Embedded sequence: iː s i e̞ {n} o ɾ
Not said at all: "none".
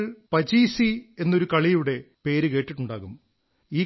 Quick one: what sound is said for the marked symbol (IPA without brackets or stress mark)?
nː